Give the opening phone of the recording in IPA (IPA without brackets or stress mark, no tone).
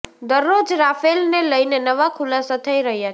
d̪